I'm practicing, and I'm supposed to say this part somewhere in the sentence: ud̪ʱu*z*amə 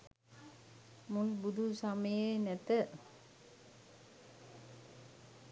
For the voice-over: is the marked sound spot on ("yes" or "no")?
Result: no